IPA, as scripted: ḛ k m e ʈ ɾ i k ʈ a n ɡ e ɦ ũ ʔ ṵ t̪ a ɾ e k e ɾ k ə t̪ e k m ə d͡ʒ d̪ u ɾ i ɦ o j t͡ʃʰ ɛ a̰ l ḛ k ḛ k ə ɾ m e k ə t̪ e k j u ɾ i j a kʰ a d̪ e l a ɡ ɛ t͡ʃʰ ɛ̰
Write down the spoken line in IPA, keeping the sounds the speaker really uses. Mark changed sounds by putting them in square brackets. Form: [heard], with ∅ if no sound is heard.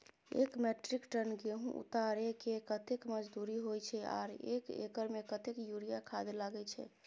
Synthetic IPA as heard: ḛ k m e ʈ ɾ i k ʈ [ə] n ɡ e ɦ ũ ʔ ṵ t̪ a ɾ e k e [∅] k ə t̪ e k m ə d͡ʒ d̪ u ɾ i ɦ o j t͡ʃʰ ɛ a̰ [ɾ] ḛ k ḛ k ə ɾ m e k ə t̪ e k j u ɾ i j a kʰ a d̪ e l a ɡ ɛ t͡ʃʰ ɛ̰